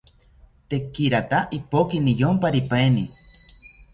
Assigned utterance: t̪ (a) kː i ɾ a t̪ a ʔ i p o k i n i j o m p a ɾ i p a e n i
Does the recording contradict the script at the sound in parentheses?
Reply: yes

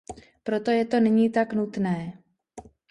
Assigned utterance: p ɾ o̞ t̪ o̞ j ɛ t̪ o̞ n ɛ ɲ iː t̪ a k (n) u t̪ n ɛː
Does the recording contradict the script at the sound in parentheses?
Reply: no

